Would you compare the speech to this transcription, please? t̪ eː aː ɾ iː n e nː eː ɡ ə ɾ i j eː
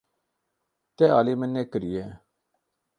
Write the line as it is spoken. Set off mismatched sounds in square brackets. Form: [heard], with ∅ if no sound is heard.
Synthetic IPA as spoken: t̪ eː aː [l] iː [m] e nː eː [k] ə ɾ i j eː